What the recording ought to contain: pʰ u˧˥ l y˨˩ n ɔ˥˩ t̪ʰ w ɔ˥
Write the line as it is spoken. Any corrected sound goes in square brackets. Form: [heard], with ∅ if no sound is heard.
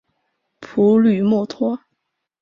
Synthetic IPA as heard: pʰ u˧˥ l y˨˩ [m] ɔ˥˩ t̪ʰ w ɔ˥